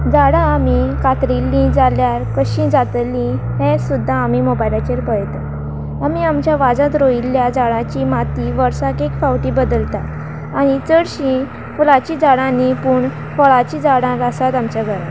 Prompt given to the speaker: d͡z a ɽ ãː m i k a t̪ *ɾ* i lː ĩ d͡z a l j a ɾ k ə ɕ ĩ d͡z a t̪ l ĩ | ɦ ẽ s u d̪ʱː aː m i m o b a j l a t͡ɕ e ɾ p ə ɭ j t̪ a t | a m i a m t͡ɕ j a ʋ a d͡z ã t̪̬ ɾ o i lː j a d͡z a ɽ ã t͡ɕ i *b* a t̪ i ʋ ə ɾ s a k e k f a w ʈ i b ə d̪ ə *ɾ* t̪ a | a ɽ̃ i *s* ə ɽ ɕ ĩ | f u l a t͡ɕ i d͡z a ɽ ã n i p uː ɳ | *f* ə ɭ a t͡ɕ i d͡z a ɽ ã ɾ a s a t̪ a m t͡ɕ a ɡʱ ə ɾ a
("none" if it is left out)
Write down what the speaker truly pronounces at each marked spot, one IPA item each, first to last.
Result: ɾ, m, l, t͡s, f

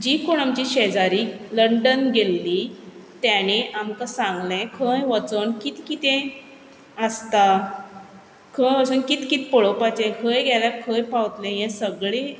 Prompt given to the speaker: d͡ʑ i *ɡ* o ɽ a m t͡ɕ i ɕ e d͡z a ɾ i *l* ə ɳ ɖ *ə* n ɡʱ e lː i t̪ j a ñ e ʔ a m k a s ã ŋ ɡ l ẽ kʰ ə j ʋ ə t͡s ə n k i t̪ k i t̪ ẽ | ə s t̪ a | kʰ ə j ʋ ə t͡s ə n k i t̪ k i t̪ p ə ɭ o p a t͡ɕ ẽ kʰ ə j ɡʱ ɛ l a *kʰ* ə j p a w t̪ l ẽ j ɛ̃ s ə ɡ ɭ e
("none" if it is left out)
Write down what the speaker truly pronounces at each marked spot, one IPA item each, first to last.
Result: k, l, ə, kʰ

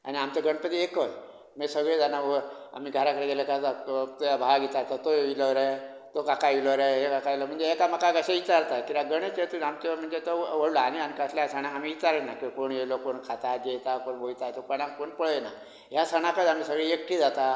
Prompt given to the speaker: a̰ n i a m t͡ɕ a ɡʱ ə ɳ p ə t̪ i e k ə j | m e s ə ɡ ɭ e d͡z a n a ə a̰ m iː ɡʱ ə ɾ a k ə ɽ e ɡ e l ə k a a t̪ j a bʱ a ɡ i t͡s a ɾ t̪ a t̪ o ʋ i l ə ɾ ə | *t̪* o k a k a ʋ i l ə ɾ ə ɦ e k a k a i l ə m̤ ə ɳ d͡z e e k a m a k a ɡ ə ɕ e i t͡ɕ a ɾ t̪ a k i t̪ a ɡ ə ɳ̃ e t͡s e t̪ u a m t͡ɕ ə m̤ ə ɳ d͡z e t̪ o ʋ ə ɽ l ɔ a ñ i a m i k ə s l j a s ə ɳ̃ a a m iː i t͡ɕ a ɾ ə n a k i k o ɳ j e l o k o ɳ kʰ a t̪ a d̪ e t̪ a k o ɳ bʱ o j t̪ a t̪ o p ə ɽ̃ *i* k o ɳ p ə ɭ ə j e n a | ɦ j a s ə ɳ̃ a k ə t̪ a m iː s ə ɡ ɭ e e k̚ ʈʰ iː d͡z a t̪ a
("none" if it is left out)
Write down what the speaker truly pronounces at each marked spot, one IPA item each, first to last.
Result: t̪, a

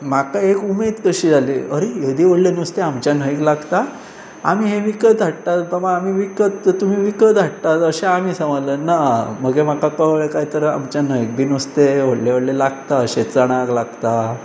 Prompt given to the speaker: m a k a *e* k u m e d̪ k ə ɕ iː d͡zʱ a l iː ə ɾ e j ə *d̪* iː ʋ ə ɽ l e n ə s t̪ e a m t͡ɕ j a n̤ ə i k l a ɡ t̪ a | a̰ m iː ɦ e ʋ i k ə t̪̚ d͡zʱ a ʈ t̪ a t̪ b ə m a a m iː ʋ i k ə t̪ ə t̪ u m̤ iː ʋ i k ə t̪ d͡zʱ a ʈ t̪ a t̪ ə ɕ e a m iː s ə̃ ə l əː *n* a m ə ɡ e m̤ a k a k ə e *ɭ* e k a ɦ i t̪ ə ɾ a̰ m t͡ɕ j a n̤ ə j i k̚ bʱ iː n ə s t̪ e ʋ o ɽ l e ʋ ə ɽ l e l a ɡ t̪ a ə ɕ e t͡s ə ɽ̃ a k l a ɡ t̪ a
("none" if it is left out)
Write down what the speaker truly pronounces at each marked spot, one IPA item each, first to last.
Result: e, d̪, n, ɭ

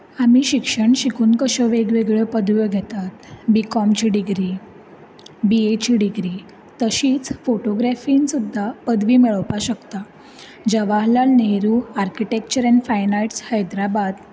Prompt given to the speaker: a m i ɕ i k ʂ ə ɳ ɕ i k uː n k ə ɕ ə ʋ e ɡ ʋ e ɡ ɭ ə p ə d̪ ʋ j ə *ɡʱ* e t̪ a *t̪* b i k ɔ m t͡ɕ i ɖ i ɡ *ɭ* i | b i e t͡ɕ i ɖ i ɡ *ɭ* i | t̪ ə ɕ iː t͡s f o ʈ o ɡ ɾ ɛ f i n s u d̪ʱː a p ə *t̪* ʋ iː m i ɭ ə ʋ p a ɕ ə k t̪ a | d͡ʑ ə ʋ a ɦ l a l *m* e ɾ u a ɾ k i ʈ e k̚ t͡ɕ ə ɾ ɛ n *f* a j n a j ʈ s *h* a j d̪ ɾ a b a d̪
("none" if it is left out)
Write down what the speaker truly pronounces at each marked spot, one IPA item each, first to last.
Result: ɡʱ, t̪, ɾ, ɾ, d̪, n, f, h

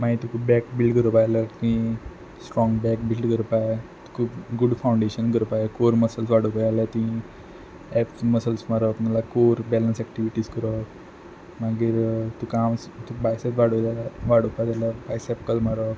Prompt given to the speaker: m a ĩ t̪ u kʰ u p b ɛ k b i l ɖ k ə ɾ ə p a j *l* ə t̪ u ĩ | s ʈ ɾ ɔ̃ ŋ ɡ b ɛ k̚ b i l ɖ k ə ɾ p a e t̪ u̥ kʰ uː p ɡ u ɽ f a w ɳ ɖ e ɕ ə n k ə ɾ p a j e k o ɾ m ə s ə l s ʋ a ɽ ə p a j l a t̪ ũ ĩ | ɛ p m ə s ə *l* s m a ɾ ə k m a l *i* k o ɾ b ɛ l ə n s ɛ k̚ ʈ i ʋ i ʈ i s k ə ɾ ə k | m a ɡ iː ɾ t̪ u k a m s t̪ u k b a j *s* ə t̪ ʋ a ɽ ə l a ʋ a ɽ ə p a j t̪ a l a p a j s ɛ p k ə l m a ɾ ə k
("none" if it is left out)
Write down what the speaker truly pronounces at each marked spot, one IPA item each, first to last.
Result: l, l, a, s

